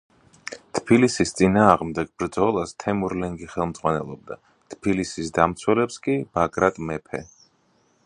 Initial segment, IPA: t̪ʰ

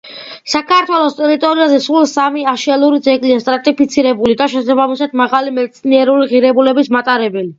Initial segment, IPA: s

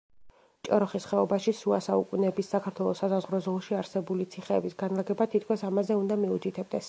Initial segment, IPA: t͡ʃʼ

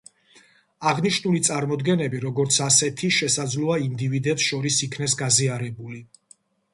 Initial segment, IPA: a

